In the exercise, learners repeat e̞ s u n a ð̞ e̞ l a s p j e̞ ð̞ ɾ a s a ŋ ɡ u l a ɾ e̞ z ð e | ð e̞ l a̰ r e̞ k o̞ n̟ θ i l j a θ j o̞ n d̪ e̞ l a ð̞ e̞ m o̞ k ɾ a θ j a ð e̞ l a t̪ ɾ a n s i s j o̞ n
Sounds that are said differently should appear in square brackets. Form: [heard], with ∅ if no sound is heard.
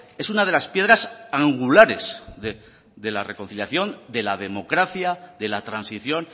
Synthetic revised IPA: e̞ s u n a ð̞ e̞ l a s p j e̞ ð̞ ɾ a s a ŋ ɡ u l a ɾ e̞ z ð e | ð e̞ l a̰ r e̞ k o̞ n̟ θ i l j a θ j o̞ n d̪ e̞ l a ð̞ e̞ m o̞ k ɾ a θ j a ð e̞ l a t̪ ɾ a n s i [θ] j o̞ n